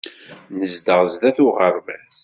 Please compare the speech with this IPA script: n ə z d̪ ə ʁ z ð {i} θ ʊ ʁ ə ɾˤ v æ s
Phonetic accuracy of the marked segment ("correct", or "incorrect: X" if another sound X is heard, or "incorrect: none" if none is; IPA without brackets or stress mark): incorrect: æ